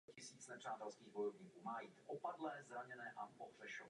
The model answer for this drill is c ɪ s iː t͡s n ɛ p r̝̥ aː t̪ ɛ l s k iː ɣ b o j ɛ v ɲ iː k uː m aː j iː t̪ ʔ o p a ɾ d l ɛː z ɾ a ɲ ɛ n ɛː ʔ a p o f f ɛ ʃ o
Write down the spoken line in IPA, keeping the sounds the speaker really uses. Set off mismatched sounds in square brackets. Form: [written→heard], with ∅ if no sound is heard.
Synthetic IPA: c ɪ s iː t͡s n ɛ p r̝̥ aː t̪ ɛ l s k iː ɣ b o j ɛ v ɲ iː k uː m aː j iː t̪ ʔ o p a [ɾ→∅] d l ɛː z ɾ a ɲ ɛ n ɛː ʔ a p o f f ɛ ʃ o